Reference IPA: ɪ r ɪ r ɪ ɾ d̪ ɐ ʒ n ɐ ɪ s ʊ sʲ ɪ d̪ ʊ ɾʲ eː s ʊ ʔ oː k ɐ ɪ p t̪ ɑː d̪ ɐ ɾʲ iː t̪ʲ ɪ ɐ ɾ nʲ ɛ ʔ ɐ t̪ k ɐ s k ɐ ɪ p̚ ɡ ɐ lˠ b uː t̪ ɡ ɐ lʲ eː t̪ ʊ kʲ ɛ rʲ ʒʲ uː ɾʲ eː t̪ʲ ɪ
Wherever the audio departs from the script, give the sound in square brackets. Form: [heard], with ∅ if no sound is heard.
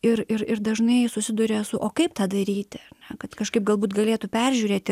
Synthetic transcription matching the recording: ɪ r ɪ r ɪ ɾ d̪ ɐ ʒ n ɐ ɪ s ʊ sʲ ɪ d̪ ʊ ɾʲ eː s ʊ ʔ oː k ɐ ɪ p t̪ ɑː d̪ ɐ ɾʲ iː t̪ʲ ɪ ɐ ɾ nʲ ɛ [k] ɐ t̪ k ɐ [ʃ] k ɐ ɪ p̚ ɡ ɐ lˠ b uː t̪ ɡ ɐ lʲ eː t̪ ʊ [pʲ] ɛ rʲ ʒʲ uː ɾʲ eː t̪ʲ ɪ